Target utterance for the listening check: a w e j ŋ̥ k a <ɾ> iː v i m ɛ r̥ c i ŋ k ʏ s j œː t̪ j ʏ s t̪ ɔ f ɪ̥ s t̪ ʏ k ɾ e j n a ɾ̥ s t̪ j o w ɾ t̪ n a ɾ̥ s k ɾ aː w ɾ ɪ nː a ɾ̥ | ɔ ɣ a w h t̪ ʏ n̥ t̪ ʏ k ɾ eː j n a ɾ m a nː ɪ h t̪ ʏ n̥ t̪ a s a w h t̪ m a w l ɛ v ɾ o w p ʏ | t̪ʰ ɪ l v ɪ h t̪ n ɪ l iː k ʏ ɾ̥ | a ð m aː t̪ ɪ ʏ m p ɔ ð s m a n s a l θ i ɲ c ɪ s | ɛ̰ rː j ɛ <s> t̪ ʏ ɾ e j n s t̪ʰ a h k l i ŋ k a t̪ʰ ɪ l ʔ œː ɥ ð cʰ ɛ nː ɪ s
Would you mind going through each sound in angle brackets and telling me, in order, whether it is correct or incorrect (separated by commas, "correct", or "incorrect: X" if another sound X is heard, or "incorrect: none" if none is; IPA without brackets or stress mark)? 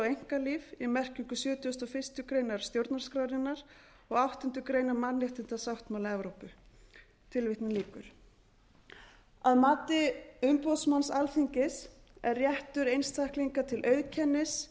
incorrect: l, incorrect: h